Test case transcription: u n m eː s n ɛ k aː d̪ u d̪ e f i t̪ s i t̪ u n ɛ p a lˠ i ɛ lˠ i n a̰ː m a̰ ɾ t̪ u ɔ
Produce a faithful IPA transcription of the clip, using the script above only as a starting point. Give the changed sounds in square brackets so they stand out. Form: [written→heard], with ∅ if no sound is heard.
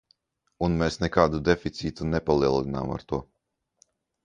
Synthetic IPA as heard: u n m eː s n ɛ k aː d̪ u d̪ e f i t̪ s [i→iː] t̪ u n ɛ p a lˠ i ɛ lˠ i n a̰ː m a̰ ɾ t̪ u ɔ